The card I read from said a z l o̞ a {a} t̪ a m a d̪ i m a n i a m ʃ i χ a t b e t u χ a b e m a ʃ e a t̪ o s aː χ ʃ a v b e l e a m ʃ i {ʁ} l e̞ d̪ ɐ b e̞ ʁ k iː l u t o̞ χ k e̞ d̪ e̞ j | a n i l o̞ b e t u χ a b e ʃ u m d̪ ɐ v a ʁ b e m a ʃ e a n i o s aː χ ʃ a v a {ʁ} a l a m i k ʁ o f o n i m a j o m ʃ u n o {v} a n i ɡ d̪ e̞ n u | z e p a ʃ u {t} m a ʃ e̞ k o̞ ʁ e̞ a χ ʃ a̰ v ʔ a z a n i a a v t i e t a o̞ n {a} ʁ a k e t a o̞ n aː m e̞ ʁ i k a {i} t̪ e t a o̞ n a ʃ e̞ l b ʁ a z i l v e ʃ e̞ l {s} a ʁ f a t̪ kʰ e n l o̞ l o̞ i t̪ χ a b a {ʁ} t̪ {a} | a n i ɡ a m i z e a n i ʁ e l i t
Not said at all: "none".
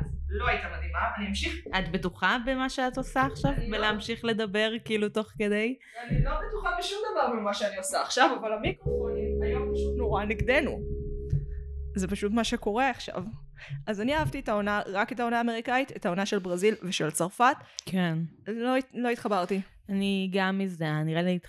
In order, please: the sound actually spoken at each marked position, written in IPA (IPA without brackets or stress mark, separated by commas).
i, χ, v, ʁ, t, a, i, t͡s, ʁ, i